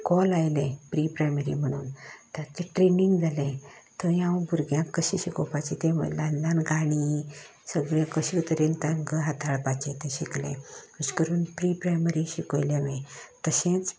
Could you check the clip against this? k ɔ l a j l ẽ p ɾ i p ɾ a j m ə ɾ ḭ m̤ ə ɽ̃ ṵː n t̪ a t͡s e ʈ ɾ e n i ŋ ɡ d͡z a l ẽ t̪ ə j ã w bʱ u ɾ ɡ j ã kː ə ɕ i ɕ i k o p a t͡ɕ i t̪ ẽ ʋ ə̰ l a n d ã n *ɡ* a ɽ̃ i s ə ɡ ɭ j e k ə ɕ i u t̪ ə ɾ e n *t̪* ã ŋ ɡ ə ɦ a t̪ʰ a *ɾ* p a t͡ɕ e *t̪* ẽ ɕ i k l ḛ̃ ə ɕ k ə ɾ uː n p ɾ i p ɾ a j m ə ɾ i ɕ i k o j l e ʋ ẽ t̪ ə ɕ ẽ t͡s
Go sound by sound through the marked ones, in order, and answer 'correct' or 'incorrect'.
correct, correct, incorrect: ɭ, correct

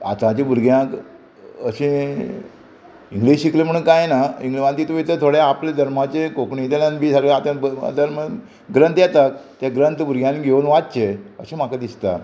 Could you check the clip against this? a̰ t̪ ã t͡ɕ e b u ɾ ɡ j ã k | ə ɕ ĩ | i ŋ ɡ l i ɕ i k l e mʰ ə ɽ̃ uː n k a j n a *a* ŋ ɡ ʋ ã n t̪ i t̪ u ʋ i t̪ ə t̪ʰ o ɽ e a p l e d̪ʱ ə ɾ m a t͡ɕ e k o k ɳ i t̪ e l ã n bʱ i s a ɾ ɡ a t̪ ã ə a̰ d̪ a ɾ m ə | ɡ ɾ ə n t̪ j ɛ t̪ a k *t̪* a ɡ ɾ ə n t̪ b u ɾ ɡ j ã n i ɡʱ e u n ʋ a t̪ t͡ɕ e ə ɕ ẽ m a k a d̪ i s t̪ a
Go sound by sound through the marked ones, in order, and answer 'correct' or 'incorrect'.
incorrect: i, correct

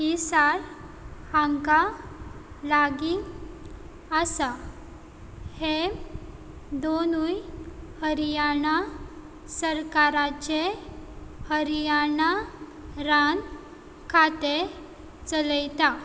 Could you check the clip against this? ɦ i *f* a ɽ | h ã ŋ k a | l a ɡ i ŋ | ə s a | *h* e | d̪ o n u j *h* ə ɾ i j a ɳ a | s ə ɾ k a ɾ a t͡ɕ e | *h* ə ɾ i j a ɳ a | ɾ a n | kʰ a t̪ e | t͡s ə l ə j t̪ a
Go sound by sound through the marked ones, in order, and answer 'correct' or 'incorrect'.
incorrect: s, correct, correct, correct

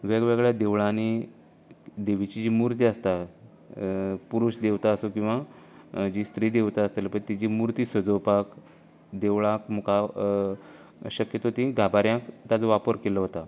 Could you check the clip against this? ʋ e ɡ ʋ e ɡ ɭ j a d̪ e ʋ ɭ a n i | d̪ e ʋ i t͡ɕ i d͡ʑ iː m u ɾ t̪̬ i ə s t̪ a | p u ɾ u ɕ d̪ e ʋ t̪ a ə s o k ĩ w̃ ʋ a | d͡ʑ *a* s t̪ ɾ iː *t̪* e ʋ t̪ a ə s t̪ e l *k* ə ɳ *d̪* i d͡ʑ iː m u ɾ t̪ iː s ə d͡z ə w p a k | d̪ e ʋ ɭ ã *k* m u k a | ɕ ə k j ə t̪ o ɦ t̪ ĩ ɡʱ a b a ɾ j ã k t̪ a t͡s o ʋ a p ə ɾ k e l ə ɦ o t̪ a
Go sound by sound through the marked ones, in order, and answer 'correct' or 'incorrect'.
incorrect: i, incorrect: d̪, incorrect: p, incorrect: t̪, correct

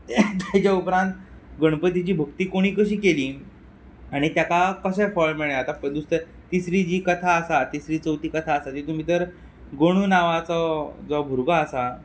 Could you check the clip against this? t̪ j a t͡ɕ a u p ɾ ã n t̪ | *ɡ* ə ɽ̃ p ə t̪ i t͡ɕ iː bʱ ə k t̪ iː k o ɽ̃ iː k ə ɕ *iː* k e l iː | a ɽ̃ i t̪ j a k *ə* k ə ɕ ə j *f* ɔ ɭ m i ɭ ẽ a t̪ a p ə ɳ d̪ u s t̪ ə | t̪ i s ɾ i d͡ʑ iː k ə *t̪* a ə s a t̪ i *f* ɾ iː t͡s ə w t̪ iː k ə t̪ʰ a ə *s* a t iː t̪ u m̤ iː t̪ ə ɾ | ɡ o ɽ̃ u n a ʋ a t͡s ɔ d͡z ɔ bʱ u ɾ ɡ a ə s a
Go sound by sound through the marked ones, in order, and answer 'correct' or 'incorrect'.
correct, correct, incorrect: a, correct, incorrect: t̪ʰ, incorrect: s, correct

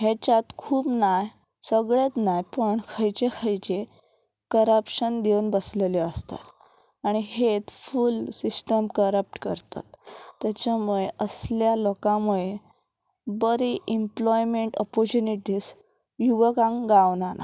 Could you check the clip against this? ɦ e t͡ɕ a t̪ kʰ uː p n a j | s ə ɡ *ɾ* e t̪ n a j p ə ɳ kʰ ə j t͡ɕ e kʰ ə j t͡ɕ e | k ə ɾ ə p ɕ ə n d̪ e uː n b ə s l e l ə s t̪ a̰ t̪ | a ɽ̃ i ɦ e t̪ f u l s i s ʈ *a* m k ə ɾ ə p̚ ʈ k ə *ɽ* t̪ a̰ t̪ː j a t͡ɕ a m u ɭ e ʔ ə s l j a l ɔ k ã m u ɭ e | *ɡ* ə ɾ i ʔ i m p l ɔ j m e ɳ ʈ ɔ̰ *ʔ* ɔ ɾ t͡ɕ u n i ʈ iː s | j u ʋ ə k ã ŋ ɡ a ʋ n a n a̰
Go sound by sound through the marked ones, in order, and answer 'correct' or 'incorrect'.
incorrect: ɭ, incorrect: ə, incorrect: ɾ, incorrect: b, incorrect: p

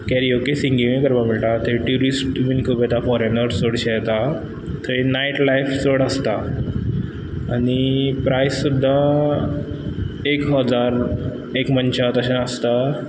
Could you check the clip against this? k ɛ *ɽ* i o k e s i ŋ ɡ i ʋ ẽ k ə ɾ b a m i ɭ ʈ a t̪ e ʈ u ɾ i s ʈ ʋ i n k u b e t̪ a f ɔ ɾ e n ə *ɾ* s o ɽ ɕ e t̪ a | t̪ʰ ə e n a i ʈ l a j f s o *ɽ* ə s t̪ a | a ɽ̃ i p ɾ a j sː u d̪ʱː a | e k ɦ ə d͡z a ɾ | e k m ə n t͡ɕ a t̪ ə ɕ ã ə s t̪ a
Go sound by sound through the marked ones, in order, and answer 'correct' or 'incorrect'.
incorrect: ɾ, correct, correct

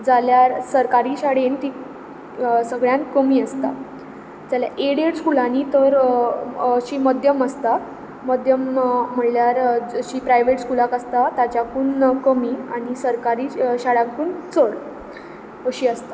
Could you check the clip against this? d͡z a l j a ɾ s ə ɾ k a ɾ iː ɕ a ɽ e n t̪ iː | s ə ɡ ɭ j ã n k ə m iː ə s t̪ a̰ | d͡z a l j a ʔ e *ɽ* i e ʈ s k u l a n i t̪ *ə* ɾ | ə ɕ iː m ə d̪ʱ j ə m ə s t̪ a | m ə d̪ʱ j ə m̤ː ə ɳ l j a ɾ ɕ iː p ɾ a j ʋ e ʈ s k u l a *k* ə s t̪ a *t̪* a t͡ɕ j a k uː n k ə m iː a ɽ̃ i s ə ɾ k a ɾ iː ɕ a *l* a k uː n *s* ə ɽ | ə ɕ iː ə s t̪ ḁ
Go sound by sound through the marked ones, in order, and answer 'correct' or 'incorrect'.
correct, correct, correct, correct, incorrect: ɽ, incorrect: t͡s

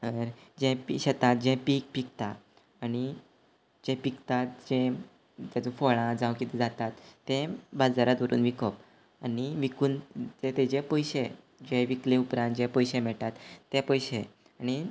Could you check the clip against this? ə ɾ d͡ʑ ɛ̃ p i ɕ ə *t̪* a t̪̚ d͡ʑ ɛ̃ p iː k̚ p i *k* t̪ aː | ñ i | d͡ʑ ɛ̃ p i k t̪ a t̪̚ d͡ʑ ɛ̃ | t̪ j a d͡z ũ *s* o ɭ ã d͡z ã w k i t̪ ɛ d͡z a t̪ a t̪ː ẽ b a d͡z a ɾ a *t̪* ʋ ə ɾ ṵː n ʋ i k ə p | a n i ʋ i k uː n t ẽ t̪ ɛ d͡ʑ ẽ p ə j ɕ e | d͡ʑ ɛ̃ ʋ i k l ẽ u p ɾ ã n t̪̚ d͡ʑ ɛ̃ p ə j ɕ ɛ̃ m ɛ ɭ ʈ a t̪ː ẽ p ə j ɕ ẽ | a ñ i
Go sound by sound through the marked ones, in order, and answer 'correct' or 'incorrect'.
correct, correct, incorrect: f, correct

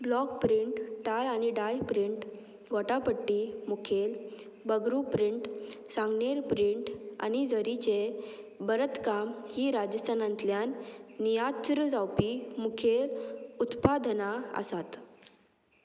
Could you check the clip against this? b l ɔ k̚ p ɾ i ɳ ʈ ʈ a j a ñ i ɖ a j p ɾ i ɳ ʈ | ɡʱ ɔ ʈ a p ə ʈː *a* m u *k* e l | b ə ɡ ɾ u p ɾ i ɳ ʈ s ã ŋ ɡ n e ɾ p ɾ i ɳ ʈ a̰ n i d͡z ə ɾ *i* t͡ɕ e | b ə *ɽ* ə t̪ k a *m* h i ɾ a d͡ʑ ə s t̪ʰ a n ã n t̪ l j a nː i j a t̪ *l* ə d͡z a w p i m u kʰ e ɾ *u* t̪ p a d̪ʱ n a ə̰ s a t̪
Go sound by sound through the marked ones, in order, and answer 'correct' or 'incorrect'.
incorrect: i, incorrect: kʰ, correct, incorrect: ɾ, correct, incorrect: ɾ, correct

